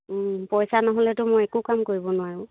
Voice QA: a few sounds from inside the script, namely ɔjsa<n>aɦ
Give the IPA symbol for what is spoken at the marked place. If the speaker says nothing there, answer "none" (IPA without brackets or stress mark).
n